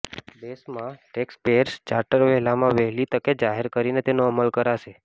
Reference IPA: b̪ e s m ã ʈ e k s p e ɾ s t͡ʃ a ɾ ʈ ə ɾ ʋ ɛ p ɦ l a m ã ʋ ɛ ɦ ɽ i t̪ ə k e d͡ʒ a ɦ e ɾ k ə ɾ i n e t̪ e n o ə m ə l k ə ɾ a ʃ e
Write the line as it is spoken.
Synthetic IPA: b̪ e s m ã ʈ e k s p e ɾ s t͡ʃ a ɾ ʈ ə ɾ ʋ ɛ ɦ l a m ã ʋ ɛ ɦ l i t̪ ə k e d͡ʒ a ɦ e ɾ k ə ɾ i n e t̪ e n o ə m ə l k ə ɾ a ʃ e